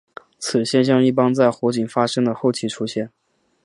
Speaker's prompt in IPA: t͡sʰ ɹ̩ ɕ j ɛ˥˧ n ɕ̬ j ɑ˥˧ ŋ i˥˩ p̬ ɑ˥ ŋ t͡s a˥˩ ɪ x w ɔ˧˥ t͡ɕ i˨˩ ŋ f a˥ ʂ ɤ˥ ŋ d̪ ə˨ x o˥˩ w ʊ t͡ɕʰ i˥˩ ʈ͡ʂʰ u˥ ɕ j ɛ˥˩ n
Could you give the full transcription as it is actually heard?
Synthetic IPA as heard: t͡sʰ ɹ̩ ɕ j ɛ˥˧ n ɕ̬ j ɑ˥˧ ŋ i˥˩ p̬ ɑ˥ ŋ t͡s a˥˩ ɪ x w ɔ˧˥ t͡ɕ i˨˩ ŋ f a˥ ʂ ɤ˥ ŋ d̪ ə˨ x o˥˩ ʊ t͡ɕʰ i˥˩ ʈ͡ʂʰ u˥ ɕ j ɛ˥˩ n